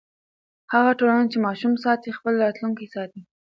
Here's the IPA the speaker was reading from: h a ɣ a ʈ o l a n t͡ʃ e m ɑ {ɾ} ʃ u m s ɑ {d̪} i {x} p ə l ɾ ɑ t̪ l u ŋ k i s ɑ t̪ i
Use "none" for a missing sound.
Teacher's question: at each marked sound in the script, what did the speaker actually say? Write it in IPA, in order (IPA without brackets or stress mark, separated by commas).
none, t̪, x